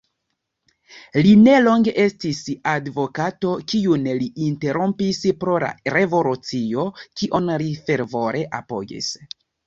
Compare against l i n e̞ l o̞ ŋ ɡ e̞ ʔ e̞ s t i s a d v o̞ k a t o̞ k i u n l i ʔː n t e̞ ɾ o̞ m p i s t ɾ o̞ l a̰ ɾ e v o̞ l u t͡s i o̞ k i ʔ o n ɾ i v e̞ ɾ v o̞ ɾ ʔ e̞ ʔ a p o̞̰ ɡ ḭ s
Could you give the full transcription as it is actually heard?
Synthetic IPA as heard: l i n e̞ l o̞ ŋ ɡ e̞ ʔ e̞ s t i s a d v o̞ k a t o̞ k i u n l i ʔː n t e̞ ɾ o̞ m p i s p ɾ o̞ l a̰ ɾ e v o̞ l u t͡s i o̞ k i ʔ o n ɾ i f e̞ ɾ v o̞ ɾ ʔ e̞ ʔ a p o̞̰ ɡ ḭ s